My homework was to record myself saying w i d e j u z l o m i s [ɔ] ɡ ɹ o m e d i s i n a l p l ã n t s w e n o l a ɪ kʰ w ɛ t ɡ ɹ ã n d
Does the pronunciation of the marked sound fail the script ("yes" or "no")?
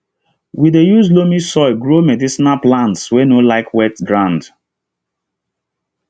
no